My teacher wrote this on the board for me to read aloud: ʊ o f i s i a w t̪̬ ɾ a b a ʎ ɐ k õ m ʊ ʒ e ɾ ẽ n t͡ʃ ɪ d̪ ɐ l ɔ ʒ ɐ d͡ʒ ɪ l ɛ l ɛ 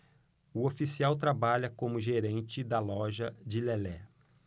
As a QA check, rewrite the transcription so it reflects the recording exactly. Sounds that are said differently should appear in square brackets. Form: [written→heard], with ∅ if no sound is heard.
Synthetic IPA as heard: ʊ o f i s i a w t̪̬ ɾ a b a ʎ ɐ k õ m ʊ ʒ e ɾ ẽ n t͡ʃ ɪ d̪ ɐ l ɔ ʒ ɐ d͡ʒ ɪ l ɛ l ɛ